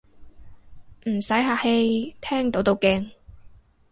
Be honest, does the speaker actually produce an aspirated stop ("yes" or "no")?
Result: yes